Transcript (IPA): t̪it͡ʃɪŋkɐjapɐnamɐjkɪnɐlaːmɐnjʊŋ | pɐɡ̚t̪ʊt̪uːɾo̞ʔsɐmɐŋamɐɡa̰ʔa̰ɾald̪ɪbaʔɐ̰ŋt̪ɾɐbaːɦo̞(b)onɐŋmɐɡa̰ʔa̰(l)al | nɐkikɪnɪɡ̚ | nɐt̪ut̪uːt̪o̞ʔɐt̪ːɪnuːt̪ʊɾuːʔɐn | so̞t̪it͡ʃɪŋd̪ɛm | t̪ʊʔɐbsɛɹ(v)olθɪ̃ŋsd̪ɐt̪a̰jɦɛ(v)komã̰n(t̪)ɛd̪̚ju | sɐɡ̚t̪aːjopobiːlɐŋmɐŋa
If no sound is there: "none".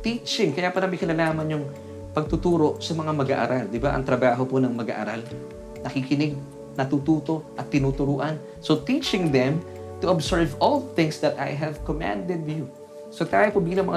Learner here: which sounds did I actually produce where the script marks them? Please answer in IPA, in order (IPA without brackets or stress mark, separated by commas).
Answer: p, ɾ, v, v, d̪